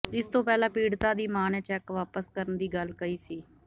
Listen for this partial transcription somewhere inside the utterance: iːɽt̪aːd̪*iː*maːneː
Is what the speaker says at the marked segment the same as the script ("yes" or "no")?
yes